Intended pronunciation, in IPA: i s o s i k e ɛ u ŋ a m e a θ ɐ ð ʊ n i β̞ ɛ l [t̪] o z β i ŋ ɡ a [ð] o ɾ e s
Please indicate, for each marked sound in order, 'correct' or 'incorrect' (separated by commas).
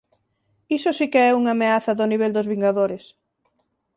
incorrect, correct